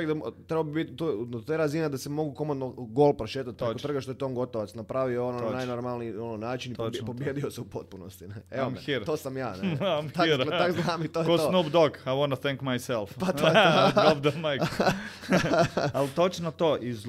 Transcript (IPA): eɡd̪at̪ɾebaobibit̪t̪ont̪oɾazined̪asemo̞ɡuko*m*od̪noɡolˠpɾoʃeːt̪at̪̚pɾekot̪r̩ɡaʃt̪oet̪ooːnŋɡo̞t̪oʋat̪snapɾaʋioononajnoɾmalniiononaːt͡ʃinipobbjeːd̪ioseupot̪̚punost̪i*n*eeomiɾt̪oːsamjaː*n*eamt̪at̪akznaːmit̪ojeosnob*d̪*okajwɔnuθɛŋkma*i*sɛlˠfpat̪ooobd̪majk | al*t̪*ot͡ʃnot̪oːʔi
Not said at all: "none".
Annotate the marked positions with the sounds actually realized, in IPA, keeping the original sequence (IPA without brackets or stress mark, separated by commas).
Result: m, n, n, d̪, j, t̪